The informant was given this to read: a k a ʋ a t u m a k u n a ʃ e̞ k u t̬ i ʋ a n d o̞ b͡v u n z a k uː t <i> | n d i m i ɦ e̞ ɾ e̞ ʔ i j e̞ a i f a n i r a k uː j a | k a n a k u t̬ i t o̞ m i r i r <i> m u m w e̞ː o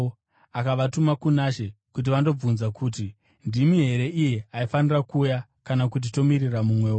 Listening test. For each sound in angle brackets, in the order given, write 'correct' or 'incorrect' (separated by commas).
correct, incorrect